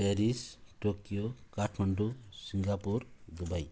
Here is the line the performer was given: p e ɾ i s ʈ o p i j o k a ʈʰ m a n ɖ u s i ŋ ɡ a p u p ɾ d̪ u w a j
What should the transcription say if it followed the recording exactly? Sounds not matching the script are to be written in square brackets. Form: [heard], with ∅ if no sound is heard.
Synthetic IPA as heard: p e ɾ i s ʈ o [k] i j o k a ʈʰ m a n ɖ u s i ŋ ɡ a p u [∅] ɾ d̪ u [b] a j